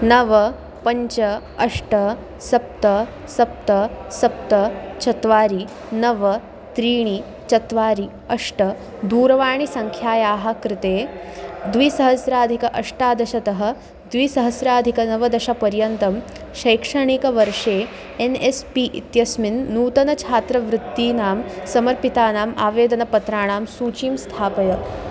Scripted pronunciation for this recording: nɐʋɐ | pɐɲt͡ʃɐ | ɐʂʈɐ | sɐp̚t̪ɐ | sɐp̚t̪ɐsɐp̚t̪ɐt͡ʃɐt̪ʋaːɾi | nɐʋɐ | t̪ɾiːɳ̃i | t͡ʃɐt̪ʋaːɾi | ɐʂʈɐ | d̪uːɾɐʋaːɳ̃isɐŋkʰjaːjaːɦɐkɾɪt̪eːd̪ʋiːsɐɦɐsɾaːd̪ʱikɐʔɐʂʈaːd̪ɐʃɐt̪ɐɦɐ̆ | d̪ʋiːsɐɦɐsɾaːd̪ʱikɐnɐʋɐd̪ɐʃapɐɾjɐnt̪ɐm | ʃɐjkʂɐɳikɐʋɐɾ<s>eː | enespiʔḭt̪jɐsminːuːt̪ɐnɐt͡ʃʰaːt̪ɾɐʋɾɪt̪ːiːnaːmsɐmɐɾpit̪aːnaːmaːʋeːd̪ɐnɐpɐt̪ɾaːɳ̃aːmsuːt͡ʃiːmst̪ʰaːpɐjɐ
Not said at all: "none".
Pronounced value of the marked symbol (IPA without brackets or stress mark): ʂ